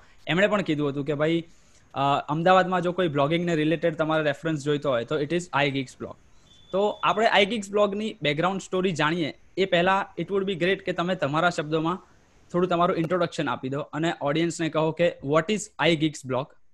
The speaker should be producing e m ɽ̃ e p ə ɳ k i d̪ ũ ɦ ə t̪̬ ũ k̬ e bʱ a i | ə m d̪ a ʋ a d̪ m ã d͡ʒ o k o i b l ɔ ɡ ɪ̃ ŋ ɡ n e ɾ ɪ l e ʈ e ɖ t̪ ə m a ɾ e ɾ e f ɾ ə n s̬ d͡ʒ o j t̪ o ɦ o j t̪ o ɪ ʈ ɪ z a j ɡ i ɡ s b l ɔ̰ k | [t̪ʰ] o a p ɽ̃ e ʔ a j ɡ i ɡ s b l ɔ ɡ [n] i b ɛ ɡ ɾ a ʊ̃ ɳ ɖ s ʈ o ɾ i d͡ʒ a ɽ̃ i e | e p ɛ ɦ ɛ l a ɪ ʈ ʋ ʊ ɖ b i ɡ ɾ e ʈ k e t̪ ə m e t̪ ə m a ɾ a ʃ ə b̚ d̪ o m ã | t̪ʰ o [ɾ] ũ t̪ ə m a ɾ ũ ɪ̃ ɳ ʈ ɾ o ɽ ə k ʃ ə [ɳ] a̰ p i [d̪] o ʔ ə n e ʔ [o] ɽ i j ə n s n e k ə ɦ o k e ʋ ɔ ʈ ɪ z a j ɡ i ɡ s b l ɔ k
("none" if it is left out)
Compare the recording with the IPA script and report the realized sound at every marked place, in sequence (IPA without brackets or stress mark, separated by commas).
t̪, n, ɽ, n, d̪, ɔ